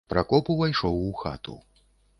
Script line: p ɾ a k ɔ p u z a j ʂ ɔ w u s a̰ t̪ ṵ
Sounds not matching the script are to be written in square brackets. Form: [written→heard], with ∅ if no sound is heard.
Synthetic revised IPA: p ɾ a k ɔ p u [z→v] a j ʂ ɔ w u [s→x] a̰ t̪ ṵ